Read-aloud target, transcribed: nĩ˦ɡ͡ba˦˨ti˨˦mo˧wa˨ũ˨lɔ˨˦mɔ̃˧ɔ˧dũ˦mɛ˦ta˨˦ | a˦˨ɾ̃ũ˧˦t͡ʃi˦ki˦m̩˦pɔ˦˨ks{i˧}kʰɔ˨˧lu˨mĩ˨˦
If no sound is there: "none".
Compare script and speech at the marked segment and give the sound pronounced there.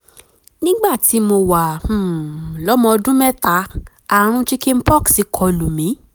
i˧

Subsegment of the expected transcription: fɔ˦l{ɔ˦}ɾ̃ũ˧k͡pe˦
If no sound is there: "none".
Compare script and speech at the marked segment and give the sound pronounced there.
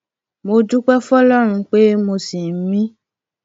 ɔ˦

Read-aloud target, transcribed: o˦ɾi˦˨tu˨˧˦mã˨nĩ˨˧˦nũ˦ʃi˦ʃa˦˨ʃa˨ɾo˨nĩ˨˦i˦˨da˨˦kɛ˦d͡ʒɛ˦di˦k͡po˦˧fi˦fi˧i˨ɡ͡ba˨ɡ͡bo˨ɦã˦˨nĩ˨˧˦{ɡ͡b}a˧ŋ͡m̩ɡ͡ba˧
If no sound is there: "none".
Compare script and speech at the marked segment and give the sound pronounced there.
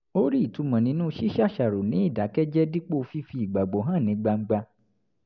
ɡ͡b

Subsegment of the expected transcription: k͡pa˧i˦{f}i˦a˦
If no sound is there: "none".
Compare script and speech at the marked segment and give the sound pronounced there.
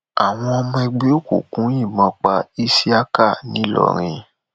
s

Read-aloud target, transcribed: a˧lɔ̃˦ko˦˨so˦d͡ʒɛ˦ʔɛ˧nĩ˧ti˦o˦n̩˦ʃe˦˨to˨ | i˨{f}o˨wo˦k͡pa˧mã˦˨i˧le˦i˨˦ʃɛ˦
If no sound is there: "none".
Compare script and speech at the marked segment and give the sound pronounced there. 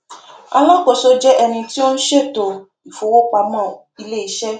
f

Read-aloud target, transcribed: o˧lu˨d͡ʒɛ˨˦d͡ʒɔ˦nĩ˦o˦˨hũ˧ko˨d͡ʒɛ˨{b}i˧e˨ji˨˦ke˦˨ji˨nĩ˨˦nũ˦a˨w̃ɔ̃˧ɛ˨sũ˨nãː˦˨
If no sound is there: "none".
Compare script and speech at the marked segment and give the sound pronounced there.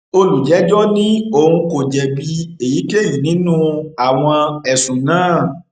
b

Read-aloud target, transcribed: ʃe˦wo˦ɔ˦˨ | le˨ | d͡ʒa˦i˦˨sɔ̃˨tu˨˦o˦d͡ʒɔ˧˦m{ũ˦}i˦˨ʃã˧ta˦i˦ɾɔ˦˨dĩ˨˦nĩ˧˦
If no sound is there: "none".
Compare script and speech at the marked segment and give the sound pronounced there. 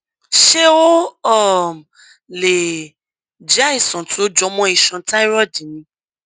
ɔ̃˦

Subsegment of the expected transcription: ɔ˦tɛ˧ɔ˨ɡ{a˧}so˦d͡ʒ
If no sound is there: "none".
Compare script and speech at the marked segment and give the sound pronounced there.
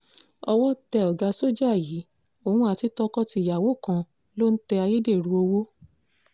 a˧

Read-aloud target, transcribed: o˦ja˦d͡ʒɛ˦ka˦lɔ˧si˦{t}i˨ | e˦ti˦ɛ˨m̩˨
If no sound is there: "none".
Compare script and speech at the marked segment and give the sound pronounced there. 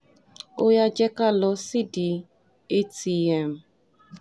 d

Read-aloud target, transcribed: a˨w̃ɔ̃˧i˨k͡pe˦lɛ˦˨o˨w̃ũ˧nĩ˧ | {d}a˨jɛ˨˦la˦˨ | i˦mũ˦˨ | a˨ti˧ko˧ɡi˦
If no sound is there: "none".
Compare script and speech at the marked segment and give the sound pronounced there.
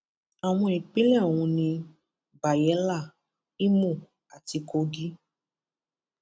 b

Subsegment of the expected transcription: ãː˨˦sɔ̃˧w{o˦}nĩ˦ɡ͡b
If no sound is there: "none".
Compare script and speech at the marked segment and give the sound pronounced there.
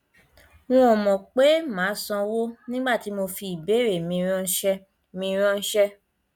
o˦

